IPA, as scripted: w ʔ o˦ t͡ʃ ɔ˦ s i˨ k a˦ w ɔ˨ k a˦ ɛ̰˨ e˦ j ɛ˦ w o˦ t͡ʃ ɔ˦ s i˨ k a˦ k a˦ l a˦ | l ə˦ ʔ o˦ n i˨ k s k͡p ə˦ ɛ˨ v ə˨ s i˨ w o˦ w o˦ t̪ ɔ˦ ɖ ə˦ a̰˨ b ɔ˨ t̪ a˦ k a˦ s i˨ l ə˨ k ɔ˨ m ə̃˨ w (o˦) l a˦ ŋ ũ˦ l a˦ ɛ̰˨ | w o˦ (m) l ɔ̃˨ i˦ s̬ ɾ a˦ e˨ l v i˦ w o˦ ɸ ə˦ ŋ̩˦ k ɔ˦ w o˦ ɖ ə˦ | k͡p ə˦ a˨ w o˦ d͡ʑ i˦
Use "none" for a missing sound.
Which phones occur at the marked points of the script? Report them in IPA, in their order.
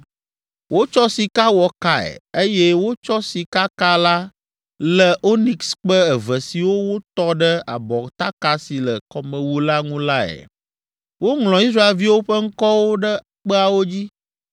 u˦, ŋ

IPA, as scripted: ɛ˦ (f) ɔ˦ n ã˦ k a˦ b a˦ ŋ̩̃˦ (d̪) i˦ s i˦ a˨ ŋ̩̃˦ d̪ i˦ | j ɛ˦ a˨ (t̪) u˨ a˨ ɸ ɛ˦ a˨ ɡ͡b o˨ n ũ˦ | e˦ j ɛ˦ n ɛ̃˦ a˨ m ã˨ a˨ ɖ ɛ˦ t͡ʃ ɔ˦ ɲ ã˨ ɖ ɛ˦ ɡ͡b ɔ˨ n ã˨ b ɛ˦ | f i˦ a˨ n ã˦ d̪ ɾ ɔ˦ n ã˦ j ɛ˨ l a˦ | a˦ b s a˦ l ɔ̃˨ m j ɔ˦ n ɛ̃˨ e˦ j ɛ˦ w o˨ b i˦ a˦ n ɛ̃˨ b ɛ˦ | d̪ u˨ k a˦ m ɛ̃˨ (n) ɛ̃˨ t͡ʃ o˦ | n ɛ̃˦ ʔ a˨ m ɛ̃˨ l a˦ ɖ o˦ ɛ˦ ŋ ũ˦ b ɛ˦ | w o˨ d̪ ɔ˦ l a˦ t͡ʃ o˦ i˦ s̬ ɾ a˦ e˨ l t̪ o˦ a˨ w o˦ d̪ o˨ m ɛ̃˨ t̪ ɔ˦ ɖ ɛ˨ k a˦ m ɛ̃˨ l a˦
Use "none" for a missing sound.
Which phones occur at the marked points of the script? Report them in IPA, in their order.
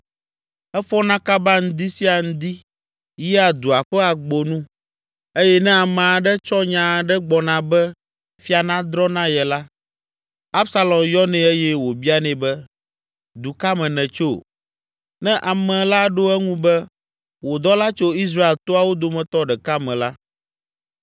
f, d̪, d̪, n

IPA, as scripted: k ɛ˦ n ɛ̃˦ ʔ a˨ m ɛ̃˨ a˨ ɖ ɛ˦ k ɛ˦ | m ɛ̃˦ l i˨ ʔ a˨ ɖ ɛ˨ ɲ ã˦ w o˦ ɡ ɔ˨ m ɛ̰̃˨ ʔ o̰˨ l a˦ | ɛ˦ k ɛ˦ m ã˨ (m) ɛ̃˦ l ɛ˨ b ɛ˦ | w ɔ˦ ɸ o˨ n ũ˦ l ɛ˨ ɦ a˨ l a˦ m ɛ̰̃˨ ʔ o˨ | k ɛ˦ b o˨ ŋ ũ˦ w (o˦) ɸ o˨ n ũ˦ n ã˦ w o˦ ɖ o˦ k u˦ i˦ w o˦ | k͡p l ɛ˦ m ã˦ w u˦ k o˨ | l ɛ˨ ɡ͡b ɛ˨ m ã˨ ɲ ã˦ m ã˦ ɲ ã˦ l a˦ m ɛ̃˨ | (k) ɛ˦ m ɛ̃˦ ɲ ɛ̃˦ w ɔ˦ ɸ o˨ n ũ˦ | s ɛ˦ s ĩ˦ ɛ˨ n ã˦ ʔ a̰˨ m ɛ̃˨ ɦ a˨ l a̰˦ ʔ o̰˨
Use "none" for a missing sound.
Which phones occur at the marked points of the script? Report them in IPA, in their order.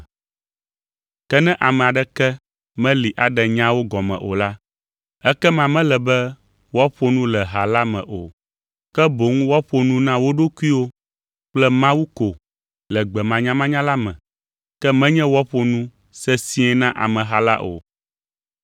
m, ɔ˦, k

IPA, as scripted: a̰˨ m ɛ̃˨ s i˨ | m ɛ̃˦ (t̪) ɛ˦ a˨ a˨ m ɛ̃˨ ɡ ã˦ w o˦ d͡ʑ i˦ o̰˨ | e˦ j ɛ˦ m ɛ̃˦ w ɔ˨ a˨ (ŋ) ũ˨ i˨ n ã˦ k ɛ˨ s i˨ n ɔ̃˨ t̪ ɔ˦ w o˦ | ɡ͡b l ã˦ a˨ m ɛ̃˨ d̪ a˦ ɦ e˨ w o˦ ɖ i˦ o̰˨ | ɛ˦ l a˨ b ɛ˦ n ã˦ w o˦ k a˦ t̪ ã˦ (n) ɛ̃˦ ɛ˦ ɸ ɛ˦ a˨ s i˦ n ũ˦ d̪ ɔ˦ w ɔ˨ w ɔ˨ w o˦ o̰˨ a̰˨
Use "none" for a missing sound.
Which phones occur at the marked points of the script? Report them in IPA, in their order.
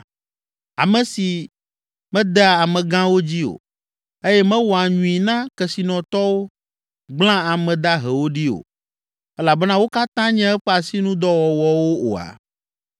d̪, ɲ, ɲ

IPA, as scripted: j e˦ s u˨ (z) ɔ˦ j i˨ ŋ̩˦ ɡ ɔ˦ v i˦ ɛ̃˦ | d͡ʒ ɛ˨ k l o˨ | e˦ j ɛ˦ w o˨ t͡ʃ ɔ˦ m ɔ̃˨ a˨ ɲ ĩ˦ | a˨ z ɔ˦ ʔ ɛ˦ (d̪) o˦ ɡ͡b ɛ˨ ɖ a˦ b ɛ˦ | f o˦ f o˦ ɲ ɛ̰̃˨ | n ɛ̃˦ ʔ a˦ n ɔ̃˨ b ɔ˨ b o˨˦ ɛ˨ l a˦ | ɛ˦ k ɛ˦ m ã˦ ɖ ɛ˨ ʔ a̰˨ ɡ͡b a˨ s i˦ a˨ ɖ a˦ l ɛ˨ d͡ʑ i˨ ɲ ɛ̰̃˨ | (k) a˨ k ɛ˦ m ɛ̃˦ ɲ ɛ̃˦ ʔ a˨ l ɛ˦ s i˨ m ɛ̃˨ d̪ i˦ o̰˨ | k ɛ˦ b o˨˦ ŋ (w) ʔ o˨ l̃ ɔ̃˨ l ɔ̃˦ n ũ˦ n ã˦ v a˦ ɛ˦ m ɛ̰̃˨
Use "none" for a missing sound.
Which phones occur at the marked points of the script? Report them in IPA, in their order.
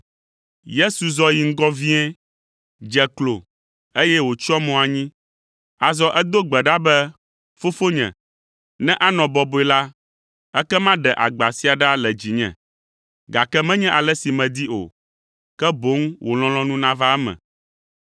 z, d̪, ɡ, w

